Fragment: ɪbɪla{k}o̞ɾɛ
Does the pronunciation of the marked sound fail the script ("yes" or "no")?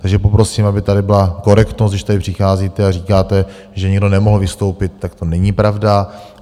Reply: no